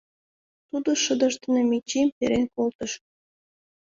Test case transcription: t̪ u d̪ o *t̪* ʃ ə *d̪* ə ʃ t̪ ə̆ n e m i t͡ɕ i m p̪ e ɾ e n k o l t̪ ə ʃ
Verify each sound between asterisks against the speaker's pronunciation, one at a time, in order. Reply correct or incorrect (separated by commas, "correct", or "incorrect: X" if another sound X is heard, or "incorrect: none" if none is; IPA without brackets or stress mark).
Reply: incorrect: none, correct